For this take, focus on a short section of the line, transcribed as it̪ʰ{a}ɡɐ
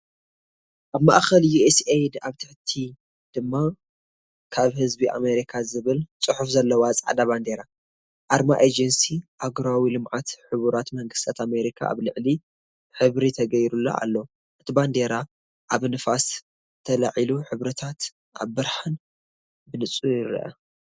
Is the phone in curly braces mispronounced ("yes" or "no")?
yes